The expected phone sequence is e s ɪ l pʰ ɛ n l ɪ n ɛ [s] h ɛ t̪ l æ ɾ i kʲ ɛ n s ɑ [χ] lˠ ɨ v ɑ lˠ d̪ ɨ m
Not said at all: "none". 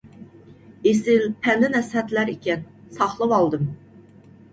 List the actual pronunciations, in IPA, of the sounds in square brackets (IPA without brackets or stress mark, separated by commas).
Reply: s, χ